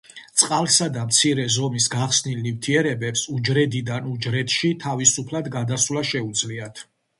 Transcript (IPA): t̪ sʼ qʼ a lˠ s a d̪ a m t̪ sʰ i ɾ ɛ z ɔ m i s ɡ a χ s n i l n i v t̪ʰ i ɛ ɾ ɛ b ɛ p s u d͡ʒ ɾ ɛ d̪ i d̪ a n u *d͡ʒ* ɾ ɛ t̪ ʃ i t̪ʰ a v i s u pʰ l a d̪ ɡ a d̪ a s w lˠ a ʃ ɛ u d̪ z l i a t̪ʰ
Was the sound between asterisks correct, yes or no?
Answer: yes